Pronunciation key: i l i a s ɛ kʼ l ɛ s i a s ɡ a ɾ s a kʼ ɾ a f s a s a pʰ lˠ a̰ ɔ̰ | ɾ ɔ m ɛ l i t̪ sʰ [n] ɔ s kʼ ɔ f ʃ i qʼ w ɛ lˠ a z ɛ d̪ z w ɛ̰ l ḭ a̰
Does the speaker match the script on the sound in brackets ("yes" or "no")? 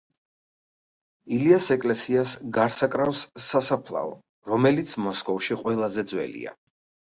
no